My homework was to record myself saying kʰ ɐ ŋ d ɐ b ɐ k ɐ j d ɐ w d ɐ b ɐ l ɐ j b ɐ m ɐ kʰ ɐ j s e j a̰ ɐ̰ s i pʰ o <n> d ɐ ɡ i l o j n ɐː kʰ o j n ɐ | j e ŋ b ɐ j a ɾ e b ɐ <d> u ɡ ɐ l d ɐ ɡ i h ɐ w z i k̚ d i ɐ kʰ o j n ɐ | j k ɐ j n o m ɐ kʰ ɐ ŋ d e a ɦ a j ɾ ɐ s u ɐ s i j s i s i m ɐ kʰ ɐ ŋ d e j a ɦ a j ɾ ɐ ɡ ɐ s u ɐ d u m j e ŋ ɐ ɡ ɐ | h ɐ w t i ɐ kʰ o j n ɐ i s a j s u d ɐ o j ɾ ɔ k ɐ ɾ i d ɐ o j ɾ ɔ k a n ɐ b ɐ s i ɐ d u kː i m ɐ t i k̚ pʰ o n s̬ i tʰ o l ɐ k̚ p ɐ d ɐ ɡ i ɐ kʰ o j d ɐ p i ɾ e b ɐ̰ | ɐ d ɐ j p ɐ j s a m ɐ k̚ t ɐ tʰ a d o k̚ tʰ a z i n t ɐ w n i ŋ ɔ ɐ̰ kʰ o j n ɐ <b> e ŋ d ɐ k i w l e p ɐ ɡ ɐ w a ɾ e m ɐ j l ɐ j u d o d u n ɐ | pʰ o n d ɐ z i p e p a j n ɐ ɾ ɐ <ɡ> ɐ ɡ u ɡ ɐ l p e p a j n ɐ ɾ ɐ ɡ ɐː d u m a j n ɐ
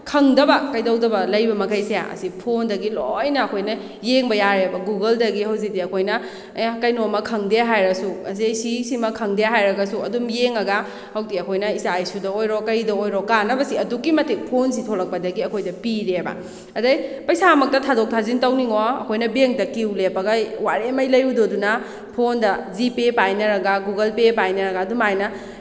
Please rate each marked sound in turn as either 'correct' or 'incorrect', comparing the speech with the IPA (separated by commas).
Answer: correct, incorrect, correct, correct